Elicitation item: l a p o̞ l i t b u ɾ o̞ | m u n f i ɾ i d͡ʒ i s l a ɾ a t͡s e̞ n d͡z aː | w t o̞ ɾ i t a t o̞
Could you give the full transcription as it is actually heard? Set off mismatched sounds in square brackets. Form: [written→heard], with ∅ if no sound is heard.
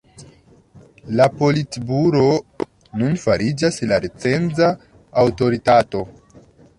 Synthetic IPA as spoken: l a p o̞ l i t b u ɾ o̞ | [m→n] u n f [i→a] ɾ i d͡ʒ [i→a] s l a ɾ [a→e] t͡s e̞ n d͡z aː | w t o̞ ɾ i t a t o̞